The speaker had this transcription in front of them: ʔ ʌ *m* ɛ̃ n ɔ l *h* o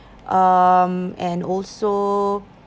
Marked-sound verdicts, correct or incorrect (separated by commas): correct, incorrect